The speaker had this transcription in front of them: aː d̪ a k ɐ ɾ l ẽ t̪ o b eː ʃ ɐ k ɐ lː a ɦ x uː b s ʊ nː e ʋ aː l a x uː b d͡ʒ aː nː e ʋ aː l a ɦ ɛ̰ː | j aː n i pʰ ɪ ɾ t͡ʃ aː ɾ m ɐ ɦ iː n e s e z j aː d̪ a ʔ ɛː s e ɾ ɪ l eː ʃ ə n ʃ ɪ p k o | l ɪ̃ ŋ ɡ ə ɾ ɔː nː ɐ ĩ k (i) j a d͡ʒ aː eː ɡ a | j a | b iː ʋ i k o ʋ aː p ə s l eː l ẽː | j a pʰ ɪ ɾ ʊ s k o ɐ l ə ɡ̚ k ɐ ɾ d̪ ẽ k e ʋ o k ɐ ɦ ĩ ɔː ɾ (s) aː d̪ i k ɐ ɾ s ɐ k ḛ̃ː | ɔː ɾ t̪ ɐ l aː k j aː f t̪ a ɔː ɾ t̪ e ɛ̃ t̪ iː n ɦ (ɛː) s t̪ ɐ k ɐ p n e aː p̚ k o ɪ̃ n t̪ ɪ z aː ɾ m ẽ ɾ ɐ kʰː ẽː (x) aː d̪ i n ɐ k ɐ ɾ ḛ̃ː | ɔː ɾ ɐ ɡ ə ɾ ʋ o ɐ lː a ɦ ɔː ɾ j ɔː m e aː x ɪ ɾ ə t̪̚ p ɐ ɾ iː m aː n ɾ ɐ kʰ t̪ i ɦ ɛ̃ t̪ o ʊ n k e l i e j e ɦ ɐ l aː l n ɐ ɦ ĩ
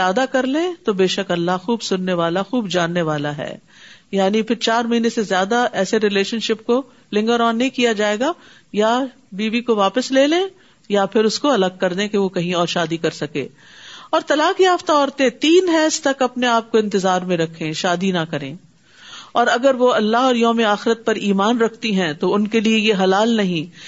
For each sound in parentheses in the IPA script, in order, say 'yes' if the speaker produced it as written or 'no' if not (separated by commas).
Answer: yes, no, yes, no